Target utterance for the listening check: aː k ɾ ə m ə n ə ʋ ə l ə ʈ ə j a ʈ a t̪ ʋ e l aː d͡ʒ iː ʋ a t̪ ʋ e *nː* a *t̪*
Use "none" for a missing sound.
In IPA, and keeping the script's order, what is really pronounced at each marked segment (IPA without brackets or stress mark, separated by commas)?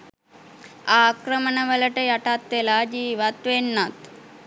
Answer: nː, t̪